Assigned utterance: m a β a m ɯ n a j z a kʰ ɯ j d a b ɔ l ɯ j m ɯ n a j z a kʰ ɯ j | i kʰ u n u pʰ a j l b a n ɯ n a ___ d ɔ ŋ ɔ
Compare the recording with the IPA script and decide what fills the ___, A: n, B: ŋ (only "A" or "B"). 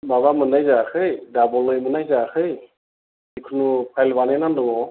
A